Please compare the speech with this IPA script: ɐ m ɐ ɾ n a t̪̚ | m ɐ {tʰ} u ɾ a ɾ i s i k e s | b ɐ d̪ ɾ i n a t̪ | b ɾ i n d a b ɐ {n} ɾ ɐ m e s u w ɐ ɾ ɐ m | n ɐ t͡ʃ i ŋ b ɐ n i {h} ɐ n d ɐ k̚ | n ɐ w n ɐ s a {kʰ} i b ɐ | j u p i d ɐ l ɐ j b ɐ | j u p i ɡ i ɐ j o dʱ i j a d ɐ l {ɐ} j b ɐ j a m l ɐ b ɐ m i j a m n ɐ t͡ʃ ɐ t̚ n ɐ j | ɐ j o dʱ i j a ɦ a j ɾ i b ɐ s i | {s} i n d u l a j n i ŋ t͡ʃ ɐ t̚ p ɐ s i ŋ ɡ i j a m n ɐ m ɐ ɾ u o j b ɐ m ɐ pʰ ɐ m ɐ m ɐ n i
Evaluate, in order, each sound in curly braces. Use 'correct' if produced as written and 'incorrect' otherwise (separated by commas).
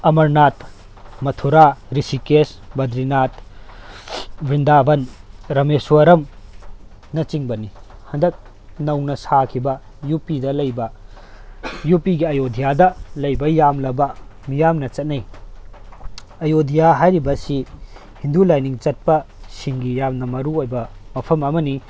correct, correct, correct, correct, correct, incorrect